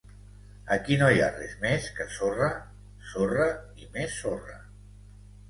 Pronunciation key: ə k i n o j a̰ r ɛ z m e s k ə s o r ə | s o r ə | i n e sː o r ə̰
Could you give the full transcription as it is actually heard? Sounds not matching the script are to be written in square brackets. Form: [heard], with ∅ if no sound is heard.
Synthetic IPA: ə k i n o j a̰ r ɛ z m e s k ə s o r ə | s o r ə | i [m] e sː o r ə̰